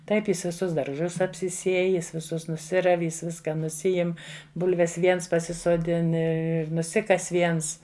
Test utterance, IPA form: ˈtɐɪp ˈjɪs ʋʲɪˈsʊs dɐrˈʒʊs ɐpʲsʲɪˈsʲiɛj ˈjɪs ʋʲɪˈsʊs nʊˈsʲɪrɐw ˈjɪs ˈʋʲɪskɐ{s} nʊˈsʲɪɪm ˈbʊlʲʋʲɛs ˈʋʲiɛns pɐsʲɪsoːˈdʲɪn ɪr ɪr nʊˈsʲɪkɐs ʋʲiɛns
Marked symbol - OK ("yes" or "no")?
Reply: no